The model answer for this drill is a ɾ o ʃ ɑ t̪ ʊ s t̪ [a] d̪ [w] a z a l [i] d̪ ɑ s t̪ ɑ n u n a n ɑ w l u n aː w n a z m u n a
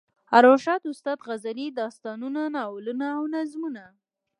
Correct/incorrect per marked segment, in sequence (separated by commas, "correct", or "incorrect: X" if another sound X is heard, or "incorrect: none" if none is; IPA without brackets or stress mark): incorrect: ɑ, incorrect: ɣ, correct